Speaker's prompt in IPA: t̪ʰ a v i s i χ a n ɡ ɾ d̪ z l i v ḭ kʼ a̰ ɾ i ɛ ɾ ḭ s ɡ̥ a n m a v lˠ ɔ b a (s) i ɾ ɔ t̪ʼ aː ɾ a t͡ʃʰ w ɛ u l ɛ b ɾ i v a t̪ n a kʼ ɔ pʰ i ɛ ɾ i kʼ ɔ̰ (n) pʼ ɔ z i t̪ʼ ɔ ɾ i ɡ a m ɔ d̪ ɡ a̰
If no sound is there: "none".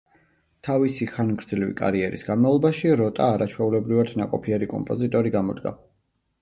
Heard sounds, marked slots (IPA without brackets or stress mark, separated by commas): ʃ, m